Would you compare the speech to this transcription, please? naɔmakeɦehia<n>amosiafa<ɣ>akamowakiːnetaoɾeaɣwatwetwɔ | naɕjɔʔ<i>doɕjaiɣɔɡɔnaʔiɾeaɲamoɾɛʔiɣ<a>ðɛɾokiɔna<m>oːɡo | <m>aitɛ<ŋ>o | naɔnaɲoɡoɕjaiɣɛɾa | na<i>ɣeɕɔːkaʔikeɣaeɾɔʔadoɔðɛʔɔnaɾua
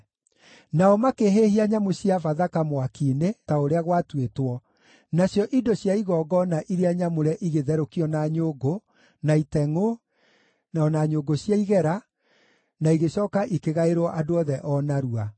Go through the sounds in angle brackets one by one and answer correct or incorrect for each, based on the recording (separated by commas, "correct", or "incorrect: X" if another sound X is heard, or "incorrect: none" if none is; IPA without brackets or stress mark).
incorrect: ɲ, incorrect: ð, correct, incorrect: e, incorrect: ɲ, incorrect: n, correct, correct